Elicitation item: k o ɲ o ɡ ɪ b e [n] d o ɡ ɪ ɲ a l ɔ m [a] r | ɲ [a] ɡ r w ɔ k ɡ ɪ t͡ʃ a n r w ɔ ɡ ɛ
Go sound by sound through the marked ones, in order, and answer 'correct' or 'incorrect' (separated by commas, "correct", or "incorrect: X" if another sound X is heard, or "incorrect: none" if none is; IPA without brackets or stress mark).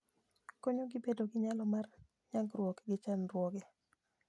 incorrect: none, correct, correct